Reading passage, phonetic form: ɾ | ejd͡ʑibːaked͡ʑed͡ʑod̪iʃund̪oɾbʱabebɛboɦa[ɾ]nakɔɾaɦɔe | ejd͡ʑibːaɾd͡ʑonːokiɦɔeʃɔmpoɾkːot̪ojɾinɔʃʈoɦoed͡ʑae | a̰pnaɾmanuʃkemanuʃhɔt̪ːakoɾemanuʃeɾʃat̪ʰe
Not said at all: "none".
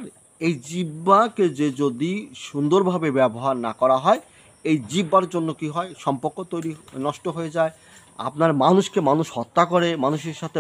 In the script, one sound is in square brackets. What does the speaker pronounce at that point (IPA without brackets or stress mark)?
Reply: ɾ